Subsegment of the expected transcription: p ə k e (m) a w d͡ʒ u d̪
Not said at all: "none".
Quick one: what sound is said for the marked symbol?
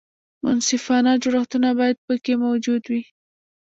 m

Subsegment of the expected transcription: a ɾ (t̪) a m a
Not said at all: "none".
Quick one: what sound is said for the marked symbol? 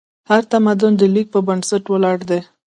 t̪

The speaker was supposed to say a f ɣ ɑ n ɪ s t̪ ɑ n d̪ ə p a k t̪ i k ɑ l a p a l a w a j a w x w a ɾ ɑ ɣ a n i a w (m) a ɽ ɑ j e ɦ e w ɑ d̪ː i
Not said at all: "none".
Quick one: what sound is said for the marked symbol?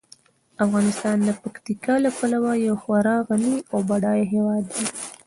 b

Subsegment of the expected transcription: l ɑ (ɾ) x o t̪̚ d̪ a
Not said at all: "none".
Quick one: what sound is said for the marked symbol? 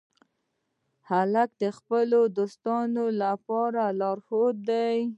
ɾ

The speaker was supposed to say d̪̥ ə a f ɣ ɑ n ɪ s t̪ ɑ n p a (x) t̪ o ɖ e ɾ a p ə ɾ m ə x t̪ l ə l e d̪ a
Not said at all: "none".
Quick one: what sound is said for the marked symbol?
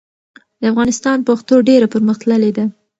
x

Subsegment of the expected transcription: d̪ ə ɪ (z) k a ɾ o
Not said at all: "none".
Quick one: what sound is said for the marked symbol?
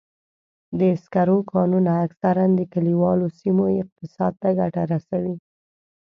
s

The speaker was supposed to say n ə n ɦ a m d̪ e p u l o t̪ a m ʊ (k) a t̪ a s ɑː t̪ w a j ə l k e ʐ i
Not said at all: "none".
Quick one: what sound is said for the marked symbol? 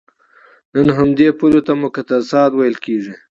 k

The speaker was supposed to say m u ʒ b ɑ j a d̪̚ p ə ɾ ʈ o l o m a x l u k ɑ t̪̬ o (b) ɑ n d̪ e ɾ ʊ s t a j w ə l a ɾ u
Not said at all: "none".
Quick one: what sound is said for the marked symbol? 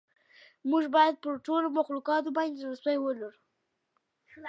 b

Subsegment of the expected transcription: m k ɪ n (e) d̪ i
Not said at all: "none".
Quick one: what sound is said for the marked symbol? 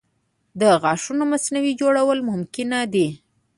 a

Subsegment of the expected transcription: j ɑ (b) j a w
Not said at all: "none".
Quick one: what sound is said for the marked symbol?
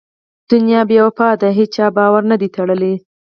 b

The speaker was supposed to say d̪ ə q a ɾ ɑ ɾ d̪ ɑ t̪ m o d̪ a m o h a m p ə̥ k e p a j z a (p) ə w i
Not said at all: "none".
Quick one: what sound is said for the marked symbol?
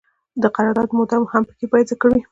k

